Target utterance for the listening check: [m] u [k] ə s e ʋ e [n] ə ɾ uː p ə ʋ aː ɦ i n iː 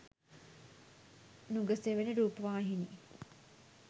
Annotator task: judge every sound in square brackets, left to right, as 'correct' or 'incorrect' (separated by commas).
incorrect, incorrect, correct